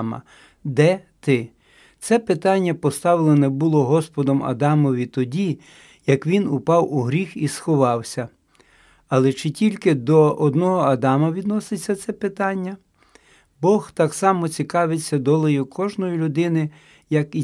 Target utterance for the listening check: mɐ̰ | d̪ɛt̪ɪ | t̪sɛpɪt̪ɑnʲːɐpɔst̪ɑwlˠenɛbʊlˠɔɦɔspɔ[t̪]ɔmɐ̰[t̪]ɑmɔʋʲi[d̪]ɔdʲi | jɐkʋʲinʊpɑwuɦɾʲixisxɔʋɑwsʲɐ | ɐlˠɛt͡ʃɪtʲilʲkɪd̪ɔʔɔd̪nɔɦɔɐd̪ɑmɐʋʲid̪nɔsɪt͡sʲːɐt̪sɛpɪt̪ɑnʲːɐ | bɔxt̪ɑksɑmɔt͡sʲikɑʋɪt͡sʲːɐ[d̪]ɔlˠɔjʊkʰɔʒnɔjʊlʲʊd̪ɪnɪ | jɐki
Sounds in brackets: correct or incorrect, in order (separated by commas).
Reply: incorrect, incorrect, incorrect, correct